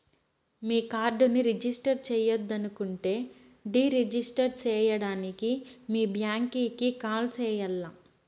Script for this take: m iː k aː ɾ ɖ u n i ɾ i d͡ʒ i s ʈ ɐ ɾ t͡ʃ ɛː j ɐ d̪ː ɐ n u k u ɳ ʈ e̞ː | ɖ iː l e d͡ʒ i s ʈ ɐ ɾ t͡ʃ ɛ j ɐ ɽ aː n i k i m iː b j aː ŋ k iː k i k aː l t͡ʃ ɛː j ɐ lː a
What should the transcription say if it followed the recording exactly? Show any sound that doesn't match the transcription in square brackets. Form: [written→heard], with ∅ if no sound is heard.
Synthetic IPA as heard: m iː k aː ɾ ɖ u n i ɾ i d͡ʒ i s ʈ ɐ ɾ t͡ʃ ɛː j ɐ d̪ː ɐ n u k u ɳ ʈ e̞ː | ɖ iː [l→ɾ] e d͡ʒ i s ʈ ɐ ɾ t͡ʃ [ɛ→ɛː] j ɐ ɽ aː n i k i m iː b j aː ŋ k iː k i k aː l t͡ʃ ɛː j ɐ lː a